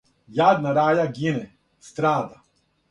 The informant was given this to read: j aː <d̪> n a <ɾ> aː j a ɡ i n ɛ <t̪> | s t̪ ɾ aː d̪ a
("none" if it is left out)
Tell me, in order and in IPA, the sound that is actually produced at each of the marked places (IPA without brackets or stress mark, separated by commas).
d̪, ɾ, none